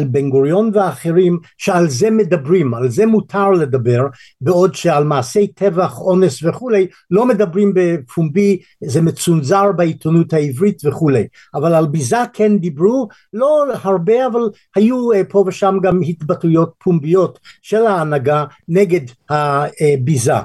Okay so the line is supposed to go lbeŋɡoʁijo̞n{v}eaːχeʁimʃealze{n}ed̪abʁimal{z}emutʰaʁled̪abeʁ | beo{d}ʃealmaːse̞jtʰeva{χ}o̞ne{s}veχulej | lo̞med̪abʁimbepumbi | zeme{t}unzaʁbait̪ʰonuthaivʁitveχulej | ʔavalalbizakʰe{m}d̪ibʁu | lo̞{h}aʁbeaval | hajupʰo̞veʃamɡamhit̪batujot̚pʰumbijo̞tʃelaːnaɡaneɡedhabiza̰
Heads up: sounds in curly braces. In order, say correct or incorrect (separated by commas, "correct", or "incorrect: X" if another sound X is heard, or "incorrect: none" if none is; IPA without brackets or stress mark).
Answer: correct, incorrect: m, correct, correct, correct, correct, incorrect: t͡s, incorrect: n, correct